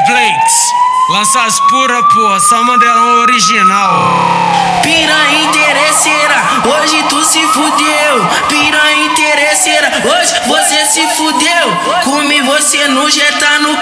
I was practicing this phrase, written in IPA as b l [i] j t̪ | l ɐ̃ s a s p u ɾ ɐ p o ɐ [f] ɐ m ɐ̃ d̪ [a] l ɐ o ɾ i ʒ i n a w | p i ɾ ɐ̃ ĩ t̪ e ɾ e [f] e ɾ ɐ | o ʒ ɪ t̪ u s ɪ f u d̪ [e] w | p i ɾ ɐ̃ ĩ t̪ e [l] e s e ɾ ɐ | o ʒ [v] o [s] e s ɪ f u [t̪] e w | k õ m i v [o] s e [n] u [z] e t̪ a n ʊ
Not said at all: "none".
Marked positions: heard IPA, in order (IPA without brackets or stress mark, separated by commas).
e, s, ɛ, s, e, ɾ, v, s, d̪, o, n, ʒ